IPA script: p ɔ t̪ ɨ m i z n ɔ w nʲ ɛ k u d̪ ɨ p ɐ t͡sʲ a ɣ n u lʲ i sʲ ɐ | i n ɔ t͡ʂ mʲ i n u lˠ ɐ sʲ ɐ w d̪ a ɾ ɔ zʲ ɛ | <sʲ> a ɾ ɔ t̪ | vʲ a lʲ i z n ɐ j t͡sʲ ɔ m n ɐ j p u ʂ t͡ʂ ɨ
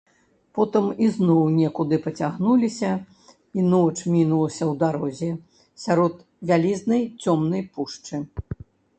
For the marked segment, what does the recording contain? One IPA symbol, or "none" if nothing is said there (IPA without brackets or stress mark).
sʲ